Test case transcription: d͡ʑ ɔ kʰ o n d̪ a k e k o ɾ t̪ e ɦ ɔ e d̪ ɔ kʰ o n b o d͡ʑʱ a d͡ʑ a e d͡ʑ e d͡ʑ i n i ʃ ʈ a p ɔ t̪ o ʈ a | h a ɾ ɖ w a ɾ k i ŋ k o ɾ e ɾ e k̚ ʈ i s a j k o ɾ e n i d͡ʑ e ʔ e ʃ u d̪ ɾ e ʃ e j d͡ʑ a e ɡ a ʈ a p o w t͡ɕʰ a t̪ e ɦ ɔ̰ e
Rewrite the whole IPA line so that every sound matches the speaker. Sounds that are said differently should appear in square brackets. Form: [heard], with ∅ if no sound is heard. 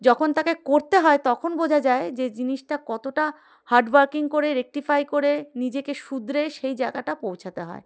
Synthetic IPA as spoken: d͡ʑ ɔ kʰ o n [t̪] a k e k o ɾ t̪ e ɦ ɔ e [t̪] ɔ kʰ o n b o d͡ʑʱ a d͡ʑ a e d͡ʑ e d͡ʑ i n i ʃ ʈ a [k] ɔ t̪ o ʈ a | h a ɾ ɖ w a ɾ k i ŋ k o ɾ e ɾ e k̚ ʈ i [f] a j k o ɾ e n i d͡ʑ e [k] e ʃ u d̪ ɾ e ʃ e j d͡ʑ a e ɡ a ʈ a p o w t͡ɕʰ a t̪ e ɦ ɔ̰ e